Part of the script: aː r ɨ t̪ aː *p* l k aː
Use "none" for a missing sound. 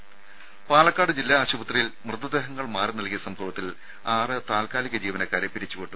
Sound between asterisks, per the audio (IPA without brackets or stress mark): none